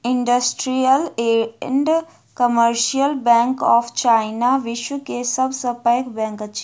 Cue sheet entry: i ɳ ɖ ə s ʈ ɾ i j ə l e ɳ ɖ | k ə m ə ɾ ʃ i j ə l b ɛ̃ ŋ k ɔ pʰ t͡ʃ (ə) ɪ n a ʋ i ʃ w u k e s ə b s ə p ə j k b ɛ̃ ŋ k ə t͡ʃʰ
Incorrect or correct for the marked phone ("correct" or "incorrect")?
incorrect